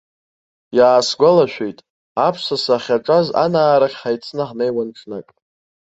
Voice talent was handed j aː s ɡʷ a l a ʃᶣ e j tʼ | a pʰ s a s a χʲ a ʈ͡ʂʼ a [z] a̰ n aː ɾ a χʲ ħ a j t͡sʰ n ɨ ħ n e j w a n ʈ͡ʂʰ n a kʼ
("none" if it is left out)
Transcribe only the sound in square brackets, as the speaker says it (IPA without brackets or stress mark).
z